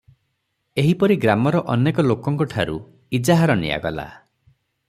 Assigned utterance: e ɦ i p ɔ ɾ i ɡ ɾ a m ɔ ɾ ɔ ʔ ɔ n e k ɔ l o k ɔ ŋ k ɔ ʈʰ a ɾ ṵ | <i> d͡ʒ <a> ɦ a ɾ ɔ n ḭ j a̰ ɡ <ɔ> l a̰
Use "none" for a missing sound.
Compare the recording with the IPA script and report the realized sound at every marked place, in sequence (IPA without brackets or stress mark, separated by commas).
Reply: i, a, ɔ